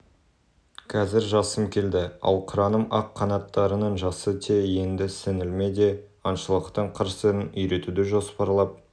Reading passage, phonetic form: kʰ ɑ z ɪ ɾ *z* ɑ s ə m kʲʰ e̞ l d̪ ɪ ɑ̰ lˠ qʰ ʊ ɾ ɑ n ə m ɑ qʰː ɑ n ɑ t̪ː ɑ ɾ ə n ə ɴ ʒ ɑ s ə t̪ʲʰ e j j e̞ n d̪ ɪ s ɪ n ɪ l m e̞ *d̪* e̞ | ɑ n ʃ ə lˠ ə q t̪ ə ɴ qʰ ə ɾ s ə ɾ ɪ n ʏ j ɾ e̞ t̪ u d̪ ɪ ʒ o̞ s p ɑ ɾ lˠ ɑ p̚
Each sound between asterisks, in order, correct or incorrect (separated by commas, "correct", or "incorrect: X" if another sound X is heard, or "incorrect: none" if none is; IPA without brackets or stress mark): incorrect: ʒ, correct